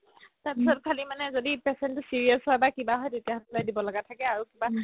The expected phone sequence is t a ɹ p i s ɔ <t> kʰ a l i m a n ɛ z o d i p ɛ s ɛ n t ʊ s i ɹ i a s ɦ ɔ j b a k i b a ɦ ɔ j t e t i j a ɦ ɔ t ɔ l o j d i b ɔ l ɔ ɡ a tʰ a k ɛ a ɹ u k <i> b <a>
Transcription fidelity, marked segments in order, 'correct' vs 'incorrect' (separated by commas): correct, correct, correct